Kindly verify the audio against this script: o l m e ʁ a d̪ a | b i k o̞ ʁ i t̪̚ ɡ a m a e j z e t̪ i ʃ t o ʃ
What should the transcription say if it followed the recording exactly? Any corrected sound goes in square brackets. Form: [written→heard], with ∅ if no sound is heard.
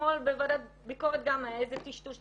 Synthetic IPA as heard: o l [m→b] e [ʁ→v] a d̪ a | b i k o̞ ʁ [i→e] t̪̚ ɡ a m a e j z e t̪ i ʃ t [o→u] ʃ